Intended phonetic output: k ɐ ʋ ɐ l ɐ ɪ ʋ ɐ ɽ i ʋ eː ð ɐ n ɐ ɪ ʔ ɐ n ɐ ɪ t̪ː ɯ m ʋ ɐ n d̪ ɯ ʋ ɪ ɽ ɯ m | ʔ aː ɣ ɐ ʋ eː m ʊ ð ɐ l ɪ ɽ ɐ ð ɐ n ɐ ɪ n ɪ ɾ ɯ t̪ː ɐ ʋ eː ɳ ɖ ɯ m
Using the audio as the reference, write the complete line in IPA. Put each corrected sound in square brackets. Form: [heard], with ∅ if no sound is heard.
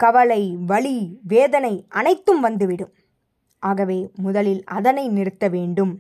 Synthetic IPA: k ɐ ʋ ɐ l ɐ ɪ ʋ ɐ [ɭ] i ʋ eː ð ɐ n ɐ ɪ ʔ ɐ n ɐ ɪ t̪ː ɯ m ʋ ɐ n d̪ ɯ ʋ ɪ ɽ ɯ m | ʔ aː ɣ ɐ ʋ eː m ʊ ð ɐ l ɪ [l] ɐ ð ɐ n ɐ ɪ n ɪ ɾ ɯ t̪ː ɐ ʋ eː ɳ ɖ ɯ m